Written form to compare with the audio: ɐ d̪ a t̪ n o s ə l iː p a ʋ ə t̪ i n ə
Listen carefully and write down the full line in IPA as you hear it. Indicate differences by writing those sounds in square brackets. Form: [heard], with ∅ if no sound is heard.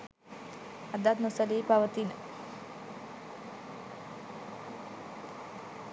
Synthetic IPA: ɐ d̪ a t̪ n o s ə l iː p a ʋ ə t̪ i n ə